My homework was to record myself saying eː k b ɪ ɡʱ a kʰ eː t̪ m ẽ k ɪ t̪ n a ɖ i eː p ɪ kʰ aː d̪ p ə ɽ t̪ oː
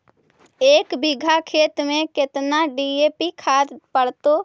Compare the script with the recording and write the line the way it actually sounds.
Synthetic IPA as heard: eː k b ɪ ɡʱ a kʰ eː t̪ m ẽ k ɪ t̪ n a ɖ i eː p i kʰ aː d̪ p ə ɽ t̪ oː